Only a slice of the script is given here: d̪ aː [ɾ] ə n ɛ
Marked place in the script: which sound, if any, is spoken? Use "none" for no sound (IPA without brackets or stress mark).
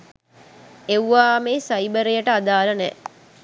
l